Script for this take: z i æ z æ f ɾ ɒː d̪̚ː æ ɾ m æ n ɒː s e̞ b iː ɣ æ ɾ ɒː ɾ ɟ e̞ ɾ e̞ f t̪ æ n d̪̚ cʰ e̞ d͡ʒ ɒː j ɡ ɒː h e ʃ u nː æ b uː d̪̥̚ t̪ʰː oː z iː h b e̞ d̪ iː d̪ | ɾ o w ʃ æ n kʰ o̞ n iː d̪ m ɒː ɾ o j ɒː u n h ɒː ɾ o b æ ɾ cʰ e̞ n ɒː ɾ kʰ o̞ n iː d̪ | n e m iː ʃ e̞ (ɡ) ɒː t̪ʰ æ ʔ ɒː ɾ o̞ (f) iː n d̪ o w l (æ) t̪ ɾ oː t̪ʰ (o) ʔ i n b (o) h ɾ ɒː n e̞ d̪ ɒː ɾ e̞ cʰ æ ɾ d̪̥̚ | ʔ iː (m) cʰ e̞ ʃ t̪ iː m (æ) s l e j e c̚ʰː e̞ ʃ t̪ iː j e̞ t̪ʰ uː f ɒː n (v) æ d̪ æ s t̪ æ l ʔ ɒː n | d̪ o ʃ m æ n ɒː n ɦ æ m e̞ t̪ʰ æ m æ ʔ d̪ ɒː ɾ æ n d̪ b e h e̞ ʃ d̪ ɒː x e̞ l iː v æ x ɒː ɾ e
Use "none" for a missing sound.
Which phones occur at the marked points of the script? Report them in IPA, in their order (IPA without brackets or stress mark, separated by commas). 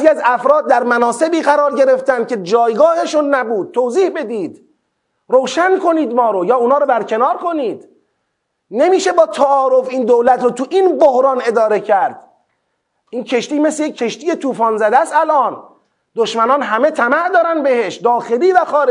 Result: b, f, æ, u, o, n, e, z